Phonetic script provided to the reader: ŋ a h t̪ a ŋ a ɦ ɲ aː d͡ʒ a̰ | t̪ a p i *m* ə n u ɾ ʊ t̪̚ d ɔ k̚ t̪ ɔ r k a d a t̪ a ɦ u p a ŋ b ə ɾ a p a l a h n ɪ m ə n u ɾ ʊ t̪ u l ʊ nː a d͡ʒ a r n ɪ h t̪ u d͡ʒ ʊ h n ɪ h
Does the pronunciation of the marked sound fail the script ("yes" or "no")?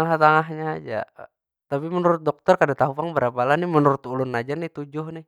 no